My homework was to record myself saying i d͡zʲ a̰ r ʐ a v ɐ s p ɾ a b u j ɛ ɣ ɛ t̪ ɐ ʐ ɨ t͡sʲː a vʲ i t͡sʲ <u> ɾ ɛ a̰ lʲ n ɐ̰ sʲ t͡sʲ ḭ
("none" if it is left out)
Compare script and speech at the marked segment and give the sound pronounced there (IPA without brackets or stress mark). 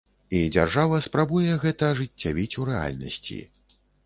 u